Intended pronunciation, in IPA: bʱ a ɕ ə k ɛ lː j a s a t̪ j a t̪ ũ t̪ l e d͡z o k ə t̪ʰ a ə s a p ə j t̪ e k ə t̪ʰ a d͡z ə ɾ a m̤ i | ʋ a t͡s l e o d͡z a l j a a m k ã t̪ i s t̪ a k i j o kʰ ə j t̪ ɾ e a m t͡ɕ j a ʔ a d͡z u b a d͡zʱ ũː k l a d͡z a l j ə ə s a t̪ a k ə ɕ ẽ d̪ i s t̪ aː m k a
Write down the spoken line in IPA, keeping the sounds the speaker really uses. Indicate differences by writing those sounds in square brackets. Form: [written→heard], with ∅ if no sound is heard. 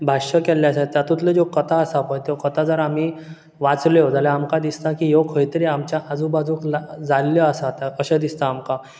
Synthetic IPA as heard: bʱ a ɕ ə k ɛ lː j a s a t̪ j a t̪ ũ t̪ l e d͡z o k ə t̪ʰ a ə s a p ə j t̪ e k ə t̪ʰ a d͡z ə ɾ a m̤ i | ʋ a t͡s l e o d͡z a l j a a m k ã [t̪→d̪] i s t̪ a k i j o kʰ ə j t̪ ɾ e a m t͡ɕ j a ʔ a d͡z u b a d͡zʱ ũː k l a d͡z a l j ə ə s a t̪ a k ə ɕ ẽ d̪ i s t̪ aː m k a